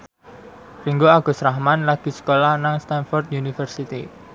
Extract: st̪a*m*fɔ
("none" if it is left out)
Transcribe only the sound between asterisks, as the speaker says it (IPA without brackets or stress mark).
n